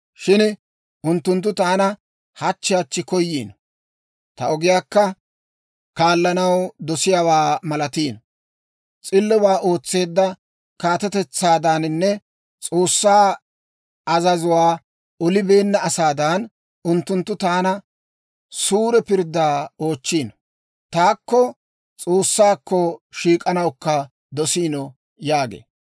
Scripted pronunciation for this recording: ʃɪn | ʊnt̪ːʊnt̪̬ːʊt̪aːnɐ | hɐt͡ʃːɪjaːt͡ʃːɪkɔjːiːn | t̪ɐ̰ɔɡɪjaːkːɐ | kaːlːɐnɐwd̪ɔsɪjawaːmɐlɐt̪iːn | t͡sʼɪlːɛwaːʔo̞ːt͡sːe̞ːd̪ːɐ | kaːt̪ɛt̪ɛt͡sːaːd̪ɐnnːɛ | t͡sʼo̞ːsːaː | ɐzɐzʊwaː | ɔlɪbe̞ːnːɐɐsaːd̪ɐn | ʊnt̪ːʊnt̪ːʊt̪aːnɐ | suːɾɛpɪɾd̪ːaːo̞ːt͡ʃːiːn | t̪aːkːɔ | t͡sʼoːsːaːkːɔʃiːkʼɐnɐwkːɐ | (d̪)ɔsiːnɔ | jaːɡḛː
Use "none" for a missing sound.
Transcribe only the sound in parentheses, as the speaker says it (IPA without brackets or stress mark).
d̪